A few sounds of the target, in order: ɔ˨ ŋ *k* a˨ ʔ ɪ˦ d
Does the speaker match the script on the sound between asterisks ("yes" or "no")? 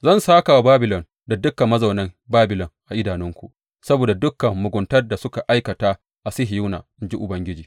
no